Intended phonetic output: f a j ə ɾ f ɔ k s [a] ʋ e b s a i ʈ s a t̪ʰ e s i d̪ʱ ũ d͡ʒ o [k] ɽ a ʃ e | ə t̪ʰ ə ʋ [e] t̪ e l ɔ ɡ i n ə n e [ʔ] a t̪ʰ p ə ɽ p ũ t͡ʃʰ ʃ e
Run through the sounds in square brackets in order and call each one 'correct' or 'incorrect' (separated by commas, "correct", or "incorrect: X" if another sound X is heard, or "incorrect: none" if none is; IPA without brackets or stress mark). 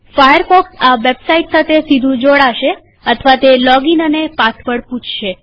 correct, incorrect: none, incorrect: a, incorrect: p